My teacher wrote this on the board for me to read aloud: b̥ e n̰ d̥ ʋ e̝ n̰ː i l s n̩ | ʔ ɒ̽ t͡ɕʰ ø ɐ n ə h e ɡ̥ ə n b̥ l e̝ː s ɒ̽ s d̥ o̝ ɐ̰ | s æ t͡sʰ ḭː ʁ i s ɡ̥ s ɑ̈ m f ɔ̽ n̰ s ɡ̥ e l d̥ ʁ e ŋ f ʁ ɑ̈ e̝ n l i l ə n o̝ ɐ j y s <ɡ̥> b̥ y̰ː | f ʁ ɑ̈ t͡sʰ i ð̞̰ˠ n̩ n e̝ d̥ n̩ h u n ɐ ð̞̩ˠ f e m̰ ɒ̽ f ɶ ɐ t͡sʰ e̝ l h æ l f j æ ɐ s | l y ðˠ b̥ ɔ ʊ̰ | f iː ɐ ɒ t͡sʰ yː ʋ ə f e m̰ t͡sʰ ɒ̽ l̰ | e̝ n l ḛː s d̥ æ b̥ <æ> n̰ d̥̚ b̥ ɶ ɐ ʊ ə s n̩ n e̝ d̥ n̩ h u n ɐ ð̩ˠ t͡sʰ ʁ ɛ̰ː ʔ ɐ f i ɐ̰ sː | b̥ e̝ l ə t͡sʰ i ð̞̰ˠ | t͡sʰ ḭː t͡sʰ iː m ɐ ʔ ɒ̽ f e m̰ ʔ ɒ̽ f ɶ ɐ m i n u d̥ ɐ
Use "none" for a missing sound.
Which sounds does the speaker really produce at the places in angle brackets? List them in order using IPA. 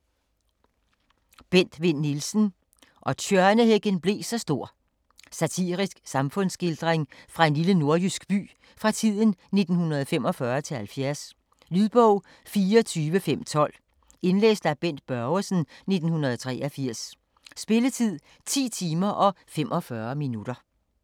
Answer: ɡ̥, e

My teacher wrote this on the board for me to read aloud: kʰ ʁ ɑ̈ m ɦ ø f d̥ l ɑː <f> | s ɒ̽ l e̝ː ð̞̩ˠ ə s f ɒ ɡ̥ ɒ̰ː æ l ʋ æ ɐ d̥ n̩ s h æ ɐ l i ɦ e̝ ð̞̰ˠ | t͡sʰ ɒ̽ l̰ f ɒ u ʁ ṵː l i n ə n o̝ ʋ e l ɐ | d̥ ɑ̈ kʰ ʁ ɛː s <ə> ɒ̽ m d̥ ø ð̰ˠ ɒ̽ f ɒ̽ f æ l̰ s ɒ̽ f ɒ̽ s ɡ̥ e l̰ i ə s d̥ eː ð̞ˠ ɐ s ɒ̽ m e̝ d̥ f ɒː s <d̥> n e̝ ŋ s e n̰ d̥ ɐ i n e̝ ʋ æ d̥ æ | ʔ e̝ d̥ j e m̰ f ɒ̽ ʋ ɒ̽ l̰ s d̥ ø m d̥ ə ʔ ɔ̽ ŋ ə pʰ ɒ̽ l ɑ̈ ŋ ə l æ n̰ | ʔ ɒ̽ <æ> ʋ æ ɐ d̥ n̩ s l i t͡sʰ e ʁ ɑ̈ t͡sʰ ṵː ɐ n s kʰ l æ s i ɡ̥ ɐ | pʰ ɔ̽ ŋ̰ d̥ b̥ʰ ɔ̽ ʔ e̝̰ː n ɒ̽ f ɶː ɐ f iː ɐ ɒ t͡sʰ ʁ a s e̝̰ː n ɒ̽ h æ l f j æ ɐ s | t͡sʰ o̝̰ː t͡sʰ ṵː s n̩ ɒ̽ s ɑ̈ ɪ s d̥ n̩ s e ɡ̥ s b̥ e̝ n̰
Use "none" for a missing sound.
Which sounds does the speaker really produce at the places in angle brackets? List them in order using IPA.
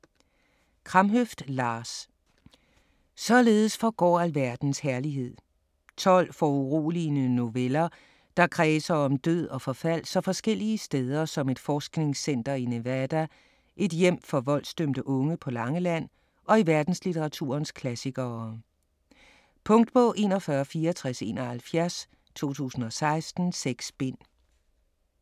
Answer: s, ɐ, ɡ̥, i

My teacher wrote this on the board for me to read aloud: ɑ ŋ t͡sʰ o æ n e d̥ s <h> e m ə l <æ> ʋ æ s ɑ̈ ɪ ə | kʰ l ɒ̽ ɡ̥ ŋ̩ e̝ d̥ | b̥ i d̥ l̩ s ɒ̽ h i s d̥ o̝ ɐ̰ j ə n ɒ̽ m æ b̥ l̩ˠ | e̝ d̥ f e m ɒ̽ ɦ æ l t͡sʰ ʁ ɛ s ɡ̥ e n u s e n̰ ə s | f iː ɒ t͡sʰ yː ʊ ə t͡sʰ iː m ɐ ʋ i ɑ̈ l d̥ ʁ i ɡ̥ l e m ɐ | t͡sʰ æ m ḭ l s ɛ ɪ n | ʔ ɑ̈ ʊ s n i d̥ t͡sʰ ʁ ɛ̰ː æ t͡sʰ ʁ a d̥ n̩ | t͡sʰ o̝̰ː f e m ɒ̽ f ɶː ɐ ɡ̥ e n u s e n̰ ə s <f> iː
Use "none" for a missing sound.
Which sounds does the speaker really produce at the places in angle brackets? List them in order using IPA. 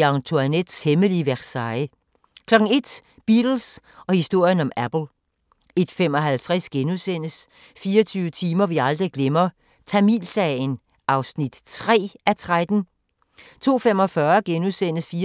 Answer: h, i, f

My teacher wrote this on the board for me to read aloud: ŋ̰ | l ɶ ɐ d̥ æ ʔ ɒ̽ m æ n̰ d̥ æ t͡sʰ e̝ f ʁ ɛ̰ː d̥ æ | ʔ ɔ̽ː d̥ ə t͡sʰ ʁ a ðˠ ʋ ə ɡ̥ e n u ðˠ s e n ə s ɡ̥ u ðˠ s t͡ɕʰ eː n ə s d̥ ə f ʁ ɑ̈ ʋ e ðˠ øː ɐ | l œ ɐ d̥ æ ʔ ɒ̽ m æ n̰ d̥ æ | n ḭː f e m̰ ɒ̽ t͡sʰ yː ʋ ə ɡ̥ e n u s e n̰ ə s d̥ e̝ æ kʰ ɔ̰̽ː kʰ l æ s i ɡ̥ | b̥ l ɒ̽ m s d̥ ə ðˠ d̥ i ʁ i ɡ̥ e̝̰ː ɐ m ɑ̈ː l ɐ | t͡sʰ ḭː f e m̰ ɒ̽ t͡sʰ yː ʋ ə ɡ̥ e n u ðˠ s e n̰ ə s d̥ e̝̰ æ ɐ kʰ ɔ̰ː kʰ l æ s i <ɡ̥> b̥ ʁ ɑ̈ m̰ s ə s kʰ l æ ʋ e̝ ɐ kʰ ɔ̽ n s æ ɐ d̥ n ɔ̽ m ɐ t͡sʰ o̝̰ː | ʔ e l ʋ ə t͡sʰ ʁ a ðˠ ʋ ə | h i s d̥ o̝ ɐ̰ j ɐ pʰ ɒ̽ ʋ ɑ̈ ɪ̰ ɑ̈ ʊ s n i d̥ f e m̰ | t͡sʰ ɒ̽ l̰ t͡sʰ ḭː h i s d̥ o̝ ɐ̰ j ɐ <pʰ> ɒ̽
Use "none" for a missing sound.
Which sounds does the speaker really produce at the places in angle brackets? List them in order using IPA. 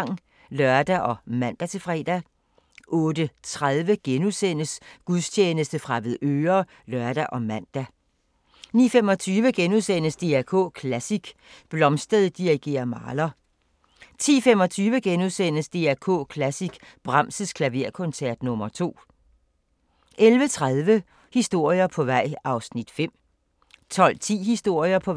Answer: ɡ̥, pʰ

